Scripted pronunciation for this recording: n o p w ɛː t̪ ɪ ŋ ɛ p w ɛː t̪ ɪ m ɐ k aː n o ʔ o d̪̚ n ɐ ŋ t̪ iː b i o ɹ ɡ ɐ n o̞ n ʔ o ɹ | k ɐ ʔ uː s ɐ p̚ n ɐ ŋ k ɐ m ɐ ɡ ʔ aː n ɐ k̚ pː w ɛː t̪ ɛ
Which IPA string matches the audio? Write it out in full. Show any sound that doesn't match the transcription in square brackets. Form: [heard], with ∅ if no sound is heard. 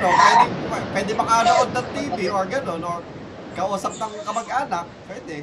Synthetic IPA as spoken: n o p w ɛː [d̪] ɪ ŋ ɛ p w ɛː [d̪] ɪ m ɐ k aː n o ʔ o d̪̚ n ɐ ŋ t̪ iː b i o ɹ ɡ ɐ n o̞ n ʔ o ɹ | k ɐ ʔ uː s ɐ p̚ n ɐ ŋ k ɐ m ɐ ɡ ʔ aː n ɐ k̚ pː w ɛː [d̪] ɛ